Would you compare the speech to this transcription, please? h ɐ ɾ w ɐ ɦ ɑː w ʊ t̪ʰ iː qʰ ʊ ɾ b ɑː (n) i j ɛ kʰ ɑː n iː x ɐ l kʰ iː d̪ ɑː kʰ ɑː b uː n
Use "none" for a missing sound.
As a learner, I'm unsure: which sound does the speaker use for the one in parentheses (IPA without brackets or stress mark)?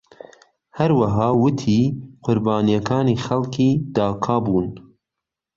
n